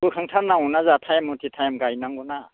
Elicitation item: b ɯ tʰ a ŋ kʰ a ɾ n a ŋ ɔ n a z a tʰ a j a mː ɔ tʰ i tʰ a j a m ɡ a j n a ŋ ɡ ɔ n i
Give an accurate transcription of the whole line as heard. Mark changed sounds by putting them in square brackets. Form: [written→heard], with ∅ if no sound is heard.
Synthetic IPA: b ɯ [tʰ→kʰ] a ŋ [kʰ→tʰ] a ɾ n a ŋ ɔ n a z a tʰ a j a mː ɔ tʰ i tʰ a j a m ɡ a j n a ŋ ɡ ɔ n [i→a]